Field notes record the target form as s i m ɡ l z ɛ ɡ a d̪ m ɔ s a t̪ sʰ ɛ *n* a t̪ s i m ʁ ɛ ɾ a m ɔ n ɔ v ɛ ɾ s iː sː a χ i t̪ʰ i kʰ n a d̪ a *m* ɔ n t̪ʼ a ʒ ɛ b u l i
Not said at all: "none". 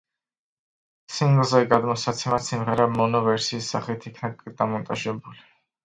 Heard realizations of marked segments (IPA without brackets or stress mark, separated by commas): m, m